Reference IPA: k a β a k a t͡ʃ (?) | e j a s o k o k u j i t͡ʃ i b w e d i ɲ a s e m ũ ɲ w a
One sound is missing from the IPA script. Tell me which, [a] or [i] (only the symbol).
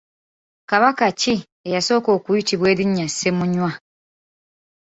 i